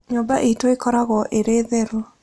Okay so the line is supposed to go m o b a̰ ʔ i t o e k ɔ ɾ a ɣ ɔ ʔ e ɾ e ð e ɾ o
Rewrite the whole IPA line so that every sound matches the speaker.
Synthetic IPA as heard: ɲ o b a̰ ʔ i t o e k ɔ ɾ a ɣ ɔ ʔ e ɾ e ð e ɾ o

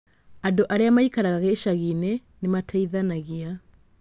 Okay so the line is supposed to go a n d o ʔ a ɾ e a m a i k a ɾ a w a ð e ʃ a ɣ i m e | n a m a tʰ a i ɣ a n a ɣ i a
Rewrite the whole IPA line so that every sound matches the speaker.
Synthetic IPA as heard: a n d o ʔ a ɾ e a m a i k a ɾ a ɣ a ɣ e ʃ a ɣ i n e | n e m a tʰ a i ð a n a ɣ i a

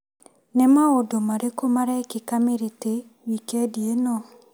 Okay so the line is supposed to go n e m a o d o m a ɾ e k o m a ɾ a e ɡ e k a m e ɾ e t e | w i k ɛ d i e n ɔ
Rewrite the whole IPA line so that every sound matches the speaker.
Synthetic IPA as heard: n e m a o d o m a ɾ e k o m a ɾ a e k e k a m e ɾ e t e | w i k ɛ d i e n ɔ

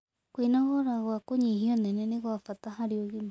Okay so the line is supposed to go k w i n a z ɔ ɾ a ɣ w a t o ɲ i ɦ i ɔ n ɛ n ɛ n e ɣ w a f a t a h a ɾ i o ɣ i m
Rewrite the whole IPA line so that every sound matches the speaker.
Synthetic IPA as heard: k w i n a ɣ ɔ ɾ a ɣ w a k o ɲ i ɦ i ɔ n ɛ n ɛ n e ɣ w a f a t a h a ɾ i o ɣ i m

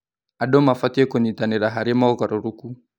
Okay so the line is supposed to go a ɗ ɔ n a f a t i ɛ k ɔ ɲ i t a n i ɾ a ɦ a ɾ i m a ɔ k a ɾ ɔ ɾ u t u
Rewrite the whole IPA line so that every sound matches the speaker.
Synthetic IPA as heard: a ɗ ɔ m a f a t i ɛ k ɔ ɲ i t a n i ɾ a ɦ a ɾ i m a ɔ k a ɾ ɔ ɾ u k u

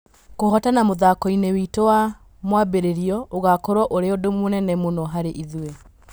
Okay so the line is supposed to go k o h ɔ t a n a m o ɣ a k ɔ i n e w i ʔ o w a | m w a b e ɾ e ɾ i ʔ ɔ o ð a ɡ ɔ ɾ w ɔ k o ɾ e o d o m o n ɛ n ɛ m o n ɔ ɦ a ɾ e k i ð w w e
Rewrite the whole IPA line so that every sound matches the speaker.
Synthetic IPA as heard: k o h ɔ t a n a m o ð a k ɔ i n e w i t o w a | m w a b e ɾ e ɾ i ɔ o ɣ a k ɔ ɾ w ɔ ʔ o ɾ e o d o m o n ɛ n ɛ m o n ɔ ɦ a ɾ e ʔ i ð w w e

